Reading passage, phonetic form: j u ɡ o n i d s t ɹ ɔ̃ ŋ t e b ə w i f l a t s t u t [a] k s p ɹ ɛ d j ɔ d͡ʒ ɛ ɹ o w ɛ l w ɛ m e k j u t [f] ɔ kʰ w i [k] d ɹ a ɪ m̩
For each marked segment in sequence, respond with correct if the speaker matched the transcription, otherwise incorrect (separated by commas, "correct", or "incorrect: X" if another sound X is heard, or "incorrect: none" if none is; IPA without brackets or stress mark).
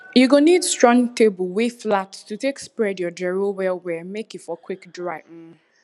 incorrect: e, correct, correct